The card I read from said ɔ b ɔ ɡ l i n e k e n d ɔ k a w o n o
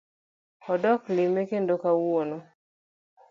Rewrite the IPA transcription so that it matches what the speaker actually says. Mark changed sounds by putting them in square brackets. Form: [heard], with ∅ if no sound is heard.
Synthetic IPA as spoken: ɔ [d] ɔ [k] l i [m] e k e n d [o] k a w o n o